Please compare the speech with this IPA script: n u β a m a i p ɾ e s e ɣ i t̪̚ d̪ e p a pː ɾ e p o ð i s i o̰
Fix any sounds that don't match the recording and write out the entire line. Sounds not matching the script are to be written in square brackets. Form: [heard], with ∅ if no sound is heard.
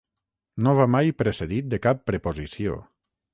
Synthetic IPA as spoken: n [o] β a m a [j] p ɾ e s e [ð] i t̪̚ d̪ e [k] a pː ɾ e p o [z] i s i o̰